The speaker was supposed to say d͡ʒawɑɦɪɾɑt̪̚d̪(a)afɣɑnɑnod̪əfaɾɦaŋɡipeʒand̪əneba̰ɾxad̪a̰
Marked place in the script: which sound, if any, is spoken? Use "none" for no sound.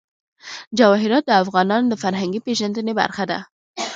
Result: ə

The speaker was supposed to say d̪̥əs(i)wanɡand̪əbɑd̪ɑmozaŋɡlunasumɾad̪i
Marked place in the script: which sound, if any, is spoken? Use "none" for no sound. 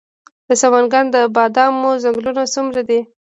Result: a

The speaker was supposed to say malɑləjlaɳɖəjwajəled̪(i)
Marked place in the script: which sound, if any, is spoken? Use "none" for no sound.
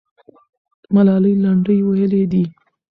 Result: i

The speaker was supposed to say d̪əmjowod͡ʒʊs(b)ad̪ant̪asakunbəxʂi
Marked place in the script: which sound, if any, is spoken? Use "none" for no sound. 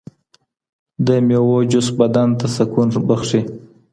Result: b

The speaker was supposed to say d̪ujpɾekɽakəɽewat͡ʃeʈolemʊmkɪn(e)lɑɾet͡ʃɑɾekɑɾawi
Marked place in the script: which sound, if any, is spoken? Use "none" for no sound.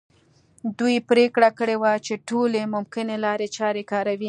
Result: e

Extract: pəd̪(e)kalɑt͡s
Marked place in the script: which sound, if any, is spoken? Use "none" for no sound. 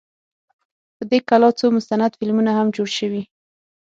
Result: e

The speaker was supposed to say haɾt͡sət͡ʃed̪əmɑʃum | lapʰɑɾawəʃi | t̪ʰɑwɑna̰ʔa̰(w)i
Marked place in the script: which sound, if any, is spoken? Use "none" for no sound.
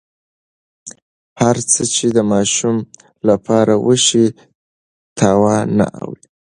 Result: w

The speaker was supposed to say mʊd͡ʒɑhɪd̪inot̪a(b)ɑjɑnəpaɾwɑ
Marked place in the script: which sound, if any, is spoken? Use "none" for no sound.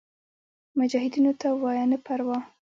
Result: w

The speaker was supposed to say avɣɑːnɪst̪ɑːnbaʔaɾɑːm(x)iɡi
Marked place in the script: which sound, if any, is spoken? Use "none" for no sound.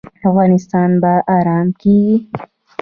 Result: k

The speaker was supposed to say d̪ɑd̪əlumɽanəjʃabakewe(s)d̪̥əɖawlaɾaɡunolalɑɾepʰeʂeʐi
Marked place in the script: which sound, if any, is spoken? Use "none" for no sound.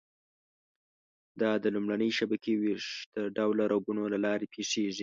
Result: ʂ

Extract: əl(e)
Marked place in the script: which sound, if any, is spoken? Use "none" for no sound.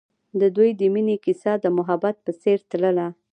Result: a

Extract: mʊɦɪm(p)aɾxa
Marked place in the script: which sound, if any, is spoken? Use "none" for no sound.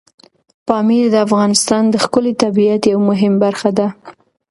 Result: b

